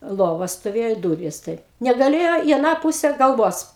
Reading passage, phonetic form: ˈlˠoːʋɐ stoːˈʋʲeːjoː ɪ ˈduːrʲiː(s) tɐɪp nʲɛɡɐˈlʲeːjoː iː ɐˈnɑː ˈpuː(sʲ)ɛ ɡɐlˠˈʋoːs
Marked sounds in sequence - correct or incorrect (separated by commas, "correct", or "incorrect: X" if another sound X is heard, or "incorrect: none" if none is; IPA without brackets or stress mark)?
correct, correct